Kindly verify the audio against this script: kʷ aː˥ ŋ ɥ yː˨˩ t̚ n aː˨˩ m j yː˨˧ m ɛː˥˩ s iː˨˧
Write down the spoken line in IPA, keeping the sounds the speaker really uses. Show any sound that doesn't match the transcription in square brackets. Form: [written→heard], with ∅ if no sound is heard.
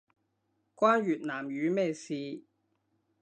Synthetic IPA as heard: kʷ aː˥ [ŋ→n] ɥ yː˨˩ t̚ n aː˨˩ m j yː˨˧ m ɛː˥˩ s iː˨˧